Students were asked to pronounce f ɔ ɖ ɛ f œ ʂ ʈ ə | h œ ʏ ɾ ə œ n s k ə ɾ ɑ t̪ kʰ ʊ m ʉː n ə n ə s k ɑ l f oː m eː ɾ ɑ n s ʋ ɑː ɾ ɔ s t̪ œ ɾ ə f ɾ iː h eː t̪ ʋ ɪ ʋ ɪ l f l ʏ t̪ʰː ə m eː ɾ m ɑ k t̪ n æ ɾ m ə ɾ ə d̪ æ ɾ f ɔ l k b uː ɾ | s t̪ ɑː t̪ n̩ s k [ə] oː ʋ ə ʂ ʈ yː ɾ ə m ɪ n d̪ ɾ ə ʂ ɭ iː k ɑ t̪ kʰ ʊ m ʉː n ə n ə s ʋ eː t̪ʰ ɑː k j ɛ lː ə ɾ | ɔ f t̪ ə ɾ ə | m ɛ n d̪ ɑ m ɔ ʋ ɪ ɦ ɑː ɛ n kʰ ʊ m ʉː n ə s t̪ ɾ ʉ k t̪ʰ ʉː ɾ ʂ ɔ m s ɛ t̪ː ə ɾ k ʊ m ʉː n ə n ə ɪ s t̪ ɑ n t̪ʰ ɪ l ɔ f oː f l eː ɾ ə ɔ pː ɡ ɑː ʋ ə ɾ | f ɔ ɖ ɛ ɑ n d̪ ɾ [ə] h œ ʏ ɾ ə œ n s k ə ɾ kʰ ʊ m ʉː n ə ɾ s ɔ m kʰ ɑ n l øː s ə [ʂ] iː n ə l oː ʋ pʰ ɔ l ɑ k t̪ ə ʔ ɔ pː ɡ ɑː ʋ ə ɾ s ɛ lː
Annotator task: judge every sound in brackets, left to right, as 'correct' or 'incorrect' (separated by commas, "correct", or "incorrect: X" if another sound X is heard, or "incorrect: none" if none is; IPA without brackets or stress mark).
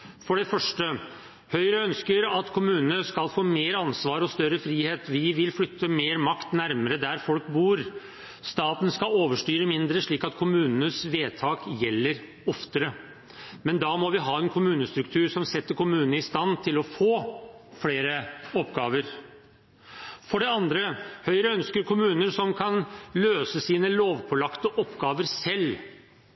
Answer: incorrect: ɑ, correct, incorrect: s